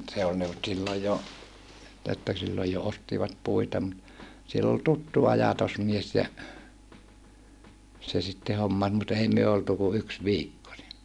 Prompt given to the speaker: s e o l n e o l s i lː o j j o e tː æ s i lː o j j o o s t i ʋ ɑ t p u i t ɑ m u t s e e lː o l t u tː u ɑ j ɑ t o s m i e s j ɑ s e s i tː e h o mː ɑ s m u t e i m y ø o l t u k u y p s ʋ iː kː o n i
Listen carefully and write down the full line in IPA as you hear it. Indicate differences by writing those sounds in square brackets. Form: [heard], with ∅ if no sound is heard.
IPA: s e o l n e o l s i lː o j j o e tː æ s i lː o j j o o s t i ʋ ɑ t p u i t ɑ m u t s [i] e lː o l t u tː u ɑ j ɑ t o s m i e s j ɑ s e s i tː e h o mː ɑ s m u t e i m y ø o l t u k u y [k] s ʋ iː kː o n i